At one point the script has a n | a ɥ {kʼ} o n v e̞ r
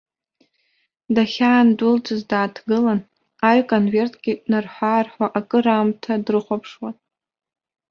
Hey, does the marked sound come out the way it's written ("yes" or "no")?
yes